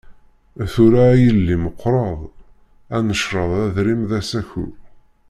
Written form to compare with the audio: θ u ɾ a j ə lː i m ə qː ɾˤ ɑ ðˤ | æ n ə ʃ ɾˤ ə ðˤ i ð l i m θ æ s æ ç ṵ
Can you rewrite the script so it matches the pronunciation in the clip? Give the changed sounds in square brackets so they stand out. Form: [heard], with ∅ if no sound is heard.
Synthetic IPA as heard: θ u ɾ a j ə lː i m ə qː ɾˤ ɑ ðˤ | æ n ə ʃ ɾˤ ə ðˤ [æ] ð [ɾ] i m [ð] æ s æ ç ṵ

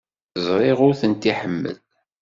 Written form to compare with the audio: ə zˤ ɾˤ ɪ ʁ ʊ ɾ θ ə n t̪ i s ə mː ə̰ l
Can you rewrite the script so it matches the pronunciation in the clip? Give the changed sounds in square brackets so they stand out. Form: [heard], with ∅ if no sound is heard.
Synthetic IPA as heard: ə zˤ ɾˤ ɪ ʁ ʊ ɾ θ ə n t̪ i [ħ] ə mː ə̰ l

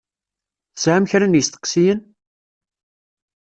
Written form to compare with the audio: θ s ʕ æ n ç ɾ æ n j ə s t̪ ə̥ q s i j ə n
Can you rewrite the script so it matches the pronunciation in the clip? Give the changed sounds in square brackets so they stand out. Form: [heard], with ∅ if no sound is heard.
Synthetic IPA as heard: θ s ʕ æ [m] ç ɾ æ n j ə s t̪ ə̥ q s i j ə n

